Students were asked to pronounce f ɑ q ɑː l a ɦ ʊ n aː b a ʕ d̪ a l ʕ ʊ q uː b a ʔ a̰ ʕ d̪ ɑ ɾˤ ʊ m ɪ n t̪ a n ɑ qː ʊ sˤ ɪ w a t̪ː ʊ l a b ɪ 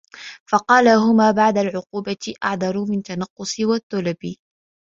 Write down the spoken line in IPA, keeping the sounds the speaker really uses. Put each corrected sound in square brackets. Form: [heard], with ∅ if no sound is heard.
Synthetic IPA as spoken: f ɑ q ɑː l a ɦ ʊ [m] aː b a ʕ d̪ a l ʕ ʊ q uː b a ʔ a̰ ʕ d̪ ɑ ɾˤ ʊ m ɪ n t̪ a n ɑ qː ʊ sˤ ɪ w a t̪ː ʊ l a b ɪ